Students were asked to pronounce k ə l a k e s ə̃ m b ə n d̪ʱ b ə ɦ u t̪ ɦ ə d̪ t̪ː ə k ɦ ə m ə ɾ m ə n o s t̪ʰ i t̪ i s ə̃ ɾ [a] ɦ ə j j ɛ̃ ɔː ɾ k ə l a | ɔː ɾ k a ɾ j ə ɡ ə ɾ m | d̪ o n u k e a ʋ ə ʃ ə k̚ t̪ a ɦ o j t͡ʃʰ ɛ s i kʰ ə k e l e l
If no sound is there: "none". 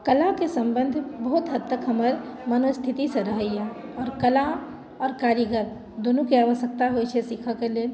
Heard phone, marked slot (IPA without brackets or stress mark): ə